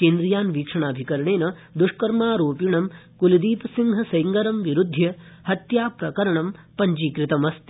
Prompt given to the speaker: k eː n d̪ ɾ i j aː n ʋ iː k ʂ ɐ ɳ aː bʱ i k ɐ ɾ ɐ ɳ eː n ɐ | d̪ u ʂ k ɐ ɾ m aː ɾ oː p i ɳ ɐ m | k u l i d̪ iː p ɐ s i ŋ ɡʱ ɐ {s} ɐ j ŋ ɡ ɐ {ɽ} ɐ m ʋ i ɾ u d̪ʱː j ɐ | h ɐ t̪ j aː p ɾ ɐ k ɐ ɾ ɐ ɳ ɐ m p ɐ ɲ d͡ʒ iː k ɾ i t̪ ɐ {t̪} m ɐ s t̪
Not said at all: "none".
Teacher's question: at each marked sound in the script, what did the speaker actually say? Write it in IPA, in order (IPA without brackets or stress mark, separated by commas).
s, ɾ, none